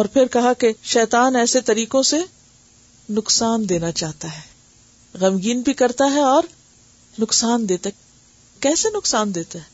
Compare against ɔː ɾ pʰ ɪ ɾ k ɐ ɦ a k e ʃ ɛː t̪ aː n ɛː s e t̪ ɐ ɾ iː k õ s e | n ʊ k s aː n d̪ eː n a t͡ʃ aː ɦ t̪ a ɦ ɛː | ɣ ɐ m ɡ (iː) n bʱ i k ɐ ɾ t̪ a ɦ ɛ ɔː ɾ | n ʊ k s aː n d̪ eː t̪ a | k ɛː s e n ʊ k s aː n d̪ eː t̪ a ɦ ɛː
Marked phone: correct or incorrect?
correct